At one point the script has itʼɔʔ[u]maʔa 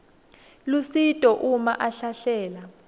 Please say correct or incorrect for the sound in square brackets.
correct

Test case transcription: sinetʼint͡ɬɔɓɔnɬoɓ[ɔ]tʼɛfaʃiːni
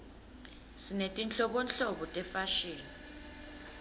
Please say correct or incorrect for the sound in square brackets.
correct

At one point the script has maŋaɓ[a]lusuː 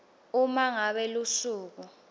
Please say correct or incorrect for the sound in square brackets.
incorrect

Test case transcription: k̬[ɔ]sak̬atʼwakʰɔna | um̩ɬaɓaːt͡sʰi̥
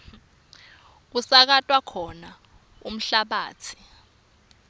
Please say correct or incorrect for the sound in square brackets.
incorrect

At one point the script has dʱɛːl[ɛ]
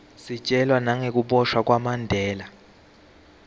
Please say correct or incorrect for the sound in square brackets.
incorrect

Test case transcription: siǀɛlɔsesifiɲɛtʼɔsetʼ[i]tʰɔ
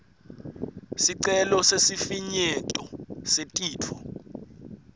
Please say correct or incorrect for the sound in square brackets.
incorrect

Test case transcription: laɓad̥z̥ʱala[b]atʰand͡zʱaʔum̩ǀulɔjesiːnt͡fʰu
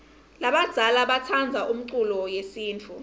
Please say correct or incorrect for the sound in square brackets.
incorrect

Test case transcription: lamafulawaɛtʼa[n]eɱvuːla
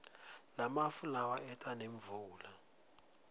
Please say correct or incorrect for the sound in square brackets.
correct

